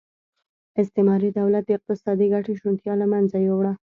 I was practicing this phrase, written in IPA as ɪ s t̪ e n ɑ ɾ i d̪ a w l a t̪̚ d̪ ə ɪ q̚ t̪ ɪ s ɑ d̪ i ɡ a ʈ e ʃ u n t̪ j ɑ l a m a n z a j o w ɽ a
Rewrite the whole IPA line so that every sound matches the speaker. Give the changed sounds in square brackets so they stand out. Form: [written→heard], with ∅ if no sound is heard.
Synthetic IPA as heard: ɪ s t̪ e [n→m] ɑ ɾ i d̪ a w l a t̪̚ d̪ ə ɪ q̚ t̪ ɪ s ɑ d̪ i ɡ a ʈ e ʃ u n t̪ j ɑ l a m a n z a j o w ɽ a